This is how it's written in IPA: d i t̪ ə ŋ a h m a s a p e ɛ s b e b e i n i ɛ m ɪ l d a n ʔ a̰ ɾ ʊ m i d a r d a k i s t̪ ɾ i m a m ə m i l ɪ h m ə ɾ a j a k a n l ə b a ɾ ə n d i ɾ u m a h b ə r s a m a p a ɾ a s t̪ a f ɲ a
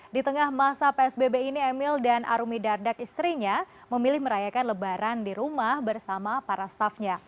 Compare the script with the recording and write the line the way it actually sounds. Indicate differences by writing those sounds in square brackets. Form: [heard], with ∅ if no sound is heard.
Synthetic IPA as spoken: d i t̪ ə ŋ a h m a s a p e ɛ s b e b e i n i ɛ m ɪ l d a n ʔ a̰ ɾ [u] m i d a r d a k i s t̪ ɾ i [ɲ] a m ə m i l ɪ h m ə ɾ a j a k a n l ə b a ɾ [a] n d i ɾ u m a h b ə r s a m a p a ɾ a s t̪ a f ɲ a